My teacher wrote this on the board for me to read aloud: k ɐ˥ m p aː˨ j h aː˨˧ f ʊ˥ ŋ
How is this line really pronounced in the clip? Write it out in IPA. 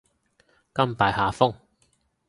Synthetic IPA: k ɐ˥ m p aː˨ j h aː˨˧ f ʊ˥ ŋ